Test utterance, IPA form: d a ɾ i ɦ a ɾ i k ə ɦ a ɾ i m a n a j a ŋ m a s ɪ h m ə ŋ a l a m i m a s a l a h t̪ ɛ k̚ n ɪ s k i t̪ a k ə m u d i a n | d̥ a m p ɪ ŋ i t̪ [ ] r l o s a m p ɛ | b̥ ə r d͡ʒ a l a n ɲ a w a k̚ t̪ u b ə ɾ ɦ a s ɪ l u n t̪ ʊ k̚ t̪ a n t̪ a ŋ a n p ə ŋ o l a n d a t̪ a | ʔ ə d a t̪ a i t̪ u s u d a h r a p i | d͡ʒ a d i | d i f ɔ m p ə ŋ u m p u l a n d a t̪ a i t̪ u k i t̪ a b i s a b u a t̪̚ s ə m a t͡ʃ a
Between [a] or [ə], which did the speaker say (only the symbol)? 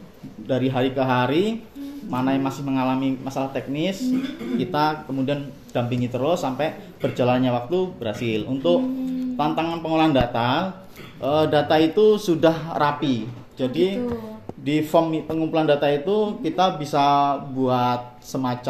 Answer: ə